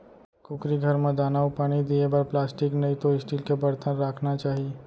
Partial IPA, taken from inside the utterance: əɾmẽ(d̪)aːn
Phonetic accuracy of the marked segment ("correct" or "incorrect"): correct